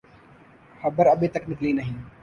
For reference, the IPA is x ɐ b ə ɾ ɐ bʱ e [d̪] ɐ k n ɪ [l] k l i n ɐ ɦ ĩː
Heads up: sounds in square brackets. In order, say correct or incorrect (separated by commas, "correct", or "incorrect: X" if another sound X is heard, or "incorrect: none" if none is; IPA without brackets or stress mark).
incorrect: t̪, incorrect: none